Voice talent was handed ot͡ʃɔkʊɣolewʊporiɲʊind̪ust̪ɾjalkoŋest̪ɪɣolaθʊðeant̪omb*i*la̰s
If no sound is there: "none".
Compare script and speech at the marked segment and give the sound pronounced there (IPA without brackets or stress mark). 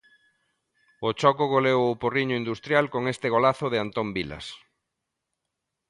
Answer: i